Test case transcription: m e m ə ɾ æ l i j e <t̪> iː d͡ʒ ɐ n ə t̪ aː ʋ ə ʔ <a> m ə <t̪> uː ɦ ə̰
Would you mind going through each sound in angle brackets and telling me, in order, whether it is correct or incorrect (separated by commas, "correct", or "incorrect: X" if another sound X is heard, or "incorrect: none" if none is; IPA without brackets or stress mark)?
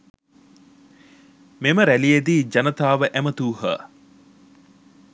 incorrect: d̪, incorrect: æ, correct